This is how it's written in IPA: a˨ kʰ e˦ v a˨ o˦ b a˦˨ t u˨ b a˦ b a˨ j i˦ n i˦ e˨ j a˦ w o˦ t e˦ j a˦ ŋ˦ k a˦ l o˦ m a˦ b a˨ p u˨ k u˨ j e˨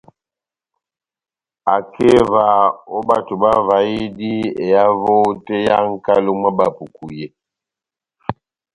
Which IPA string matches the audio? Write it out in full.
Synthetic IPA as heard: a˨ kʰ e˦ v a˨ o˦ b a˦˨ t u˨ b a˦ v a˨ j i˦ d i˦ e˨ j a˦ v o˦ t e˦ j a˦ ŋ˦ k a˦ l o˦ m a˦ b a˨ p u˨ k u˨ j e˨